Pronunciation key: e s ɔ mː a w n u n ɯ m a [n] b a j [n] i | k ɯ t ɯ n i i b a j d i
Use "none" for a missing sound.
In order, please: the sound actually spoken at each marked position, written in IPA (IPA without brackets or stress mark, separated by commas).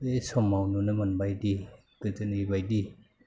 n, d